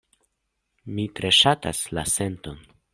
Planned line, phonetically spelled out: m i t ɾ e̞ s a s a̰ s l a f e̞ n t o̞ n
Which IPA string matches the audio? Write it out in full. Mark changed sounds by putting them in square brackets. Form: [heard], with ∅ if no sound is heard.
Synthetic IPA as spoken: m i t ɾ e̞ [ʃ] a [t] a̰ s l a [s] e̞ n t o̞ n